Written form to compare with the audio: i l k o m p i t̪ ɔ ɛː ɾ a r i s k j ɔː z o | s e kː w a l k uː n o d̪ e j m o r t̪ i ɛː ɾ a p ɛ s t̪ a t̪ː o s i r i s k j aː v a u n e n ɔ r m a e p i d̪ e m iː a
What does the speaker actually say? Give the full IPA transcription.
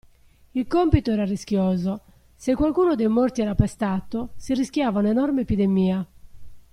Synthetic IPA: i l k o m p i t̪ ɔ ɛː ɾ a r i s k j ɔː z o | s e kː w a l k uː n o d̪ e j m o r t̪ i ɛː ɾ a p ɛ s t̪ a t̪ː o s i r i s k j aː v a u n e n ɔ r m e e p i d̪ e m iː a